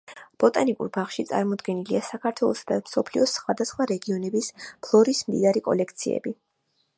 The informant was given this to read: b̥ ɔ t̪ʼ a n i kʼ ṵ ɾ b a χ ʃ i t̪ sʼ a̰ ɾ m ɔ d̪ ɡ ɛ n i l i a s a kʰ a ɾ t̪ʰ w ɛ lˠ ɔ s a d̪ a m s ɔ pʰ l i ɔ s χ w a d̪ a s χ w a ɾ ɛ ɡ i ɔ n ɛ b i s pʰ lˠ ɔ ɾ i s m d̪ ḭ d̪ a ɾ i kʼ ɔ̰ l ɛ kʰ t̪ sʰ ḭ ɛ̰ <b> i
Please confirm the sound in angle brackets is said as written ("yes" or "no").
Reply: yes